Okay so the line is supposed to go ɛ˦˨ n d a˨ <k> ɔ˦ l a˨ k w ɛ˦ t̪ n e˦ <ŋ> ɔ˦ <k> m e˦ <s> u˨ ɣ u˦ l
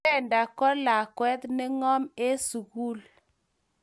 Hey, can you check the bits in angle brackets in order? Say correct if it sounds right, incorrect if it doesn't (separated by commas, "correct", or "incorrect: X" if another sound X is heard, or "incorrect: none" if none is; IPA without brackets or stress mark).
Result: correct, correct, incorrect: none, correct